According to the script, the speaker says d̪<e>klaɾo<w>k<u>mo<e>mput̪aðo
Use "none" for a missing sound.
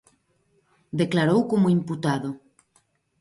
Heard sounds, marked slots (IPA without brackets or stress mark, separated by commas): e, w, o, i